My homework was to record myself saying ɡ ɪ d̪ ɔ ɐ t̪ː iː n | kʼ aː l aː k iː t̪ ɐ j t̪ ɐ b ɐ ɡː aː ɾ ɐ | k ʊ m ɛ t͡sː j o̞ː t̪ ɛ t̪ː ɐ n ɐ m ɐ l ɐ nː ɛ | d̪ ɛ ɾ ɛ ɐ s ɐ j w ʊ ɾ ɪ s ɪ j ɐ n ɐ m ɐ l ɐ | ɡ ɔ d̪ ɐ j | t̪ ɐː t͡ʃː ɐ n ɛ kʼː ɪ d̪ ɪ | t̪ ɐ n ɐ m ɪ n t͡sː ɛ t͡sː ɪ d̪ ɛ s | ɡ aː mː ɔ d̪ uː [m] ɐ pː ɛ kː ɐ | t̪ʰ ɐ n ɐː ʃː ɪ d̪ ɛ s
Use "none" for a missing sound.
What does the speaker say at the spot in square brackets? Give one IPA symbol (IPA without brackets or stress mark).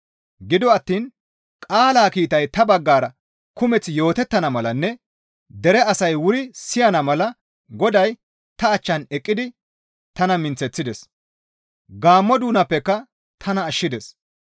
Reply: n